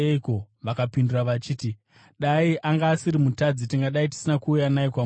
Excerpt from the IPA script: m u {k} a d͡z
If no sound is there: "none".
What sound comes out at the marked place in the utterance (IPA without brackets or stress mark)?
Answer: t